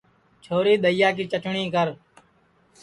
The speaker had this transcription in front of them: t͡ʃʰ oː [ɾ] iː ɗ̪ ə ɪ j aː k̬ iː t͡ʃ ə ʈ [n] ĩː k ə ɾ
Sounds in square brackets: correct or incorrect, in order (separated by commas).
correct, incorrect